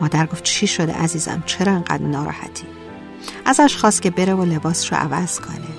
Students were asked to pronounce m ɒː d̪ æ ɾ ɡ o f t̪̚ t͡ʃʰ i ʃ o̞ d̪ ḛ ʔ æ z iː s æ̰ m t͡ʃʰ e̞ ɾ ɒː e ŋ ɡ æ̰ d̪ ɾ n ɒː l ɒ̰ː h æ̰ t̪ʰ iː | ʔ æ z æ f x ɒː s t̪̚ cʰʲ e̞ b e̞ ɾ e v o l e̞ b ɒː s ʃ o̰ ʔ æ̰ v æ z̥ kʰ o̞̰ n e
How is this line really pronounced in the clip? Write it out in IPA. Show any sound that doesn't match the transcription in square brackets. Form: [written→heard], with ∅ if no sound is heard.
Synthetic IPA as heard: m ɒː d̪ æ ɾ ɡ o f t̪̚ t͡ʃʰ i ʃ o̞ d̪ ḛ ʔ æ z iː [s→z] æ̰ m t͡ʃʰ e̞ ɾ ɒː e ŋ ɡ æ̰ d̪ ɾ n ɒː [l→ɾ] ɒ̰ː h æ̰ t̪ʰ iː | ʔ æ z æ [f→ʃ] x ɒː s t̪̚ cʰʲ e̞ b e̞ ɾ e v o l e̞ b ɒː s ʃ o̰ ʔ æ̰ v æ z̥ kʰ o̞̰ n e